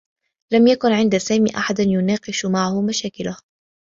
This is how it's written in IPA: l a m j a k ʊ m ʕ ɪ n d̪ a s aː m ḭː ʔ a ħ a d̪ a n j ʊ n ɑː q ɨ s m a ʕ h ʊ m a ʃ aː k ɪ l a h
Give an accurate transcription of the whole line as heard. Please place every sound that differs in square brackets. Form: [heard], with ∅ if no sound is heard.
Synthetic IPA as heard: l a m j a k ʊ [n] ʕ ɪ n d̪ a s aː m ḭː ʔ a ħ a d̪ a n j ʊ n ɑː q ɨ [ʃ] m a ʕ h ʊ m a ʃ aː k ɪ l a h